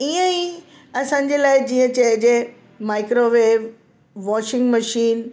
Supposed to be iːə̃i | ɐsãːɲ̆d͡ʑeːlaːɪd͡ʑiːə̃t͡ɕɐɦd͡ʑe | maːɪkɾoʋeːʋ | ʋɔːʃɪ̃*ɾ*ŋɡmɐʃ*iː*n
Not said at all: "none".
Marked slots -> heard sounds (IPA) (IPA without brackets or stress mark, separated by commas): none, iː